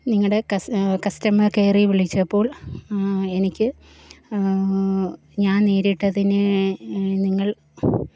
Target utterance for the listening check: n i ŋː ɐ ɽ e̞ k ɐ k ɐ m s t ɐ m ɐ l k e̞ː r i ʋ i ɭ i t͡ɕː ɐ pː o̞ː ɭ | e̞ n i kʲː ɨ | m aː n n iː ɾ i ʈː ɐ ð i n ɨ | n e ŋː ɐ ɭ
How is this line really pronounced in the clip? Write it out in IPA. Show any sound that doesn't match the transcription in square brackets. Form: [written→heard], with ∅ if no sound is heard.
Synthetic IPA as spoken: n i ŋː ɐ ɽ e̞ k ɐ k ɐ [m→∅] s t ɐ m ɐ [l→r] k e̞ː r i ʋ i ɭ i t͡ɕː ɐ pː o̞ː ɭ | e̞ n i kʲː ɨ | [m→ɲ] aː n n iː ɾ i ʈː ɐ ð i n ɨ | n [e→i] ŋː ɐ ɭ